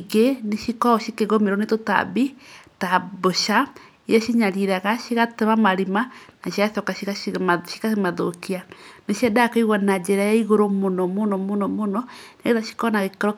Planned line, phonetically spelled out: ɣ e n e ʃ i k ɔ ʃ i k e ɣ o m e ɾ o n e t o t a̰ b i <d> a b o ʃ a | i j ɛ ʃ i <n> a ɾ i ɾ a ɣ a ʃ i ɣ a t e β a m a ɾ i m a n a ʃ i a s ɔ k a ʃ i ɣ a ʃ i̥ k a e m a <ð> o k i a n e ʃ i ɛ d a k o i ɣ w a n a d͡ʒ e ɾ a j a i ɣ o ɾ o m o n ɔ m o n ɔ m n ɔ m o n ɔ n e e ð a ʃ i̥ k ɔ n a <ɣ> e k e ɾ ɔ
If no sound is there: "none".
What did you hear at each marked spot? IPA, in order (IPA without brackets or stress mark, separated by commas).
t, ɲ, ð, ɣ